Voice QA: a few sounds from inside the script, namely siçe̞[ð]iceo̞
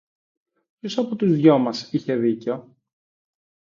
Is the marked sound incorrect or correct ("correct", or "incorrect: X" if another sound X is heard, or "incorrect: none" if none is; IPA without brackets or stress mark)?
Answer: correct